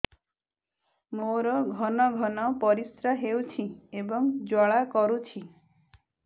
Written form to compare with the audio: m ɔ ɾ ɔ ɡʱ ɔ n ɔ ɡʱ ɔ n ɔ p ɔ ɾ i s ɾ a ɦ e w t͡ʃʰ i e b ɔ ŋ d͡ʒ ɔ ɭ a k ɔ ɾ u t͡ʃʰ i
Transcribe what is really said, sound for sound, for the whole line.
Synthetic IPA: m o ɾ ɔ ɡʱ ɔ n ɔ ɡʱ ɔ n ɔ p ɔ ɾ i s ɾ a ɦ e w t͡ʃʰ i e b ɔ ŋ d͡ʒ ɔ ɭ a k ɔ ɾ u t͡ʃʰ i